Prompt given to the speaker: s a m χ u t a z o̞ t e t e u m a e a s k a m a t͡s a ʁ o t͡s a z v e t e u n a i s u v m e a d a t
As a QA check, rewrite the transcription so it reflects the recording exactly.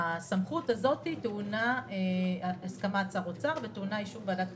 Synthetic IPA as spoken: s a m χ u t a z o̞ t i t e u n a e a s k a m a t͡s a ʁ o t͡s a ʁ v e t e u n a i ʃ u v b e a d a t